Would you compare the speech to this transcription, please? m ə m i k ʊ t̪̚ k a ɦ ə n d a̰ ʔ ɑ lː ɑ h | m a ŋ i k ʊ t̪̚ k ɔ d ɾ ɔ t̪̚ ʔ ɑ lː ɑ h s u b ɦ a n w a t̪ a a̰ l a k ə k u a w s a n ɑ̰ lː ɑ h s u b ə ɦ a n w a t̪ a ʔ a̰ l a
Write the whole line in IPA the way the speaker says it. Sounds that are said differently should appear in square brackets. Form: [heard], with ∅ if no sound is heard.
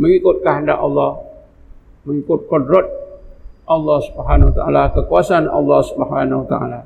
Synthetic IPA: m ə [ŋ] i k ʊ t̪̚ k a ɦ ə n d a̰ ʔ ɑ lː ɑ h | m [ə] ŋ i k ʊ t̪̚ k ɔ d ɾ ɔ t̪̚ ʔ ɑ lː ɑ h s u b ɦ a n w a t̪ a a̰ l a k ə k u a [∅] s a n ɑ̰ lː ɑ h s u b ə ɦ a n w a t̪ a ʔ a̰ l a